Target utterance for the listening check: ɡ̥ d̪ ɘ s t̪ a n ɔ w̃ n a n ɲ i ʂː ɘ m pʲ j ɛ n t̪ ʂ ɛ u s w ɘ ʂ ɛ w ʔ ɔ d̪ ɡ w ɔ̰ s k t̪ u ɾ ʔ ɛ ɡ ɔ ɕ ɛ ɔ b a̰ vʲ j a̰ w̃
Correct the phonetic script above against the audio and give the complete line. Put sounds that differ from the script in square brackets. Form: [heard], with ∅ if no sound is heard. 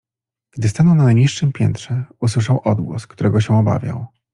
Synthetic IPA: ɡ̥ d̪ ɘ s t̪ a n ɔ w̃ n a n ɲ i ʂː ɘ m pʲ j ɛ n t̪ ʂ ɛ u s w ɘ ʂ [a] w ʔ ɔ d̪ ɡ w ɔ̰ s k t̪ u ɾ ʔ ɛ ɡ ɔ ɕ ɛ ɔ b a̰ vʲ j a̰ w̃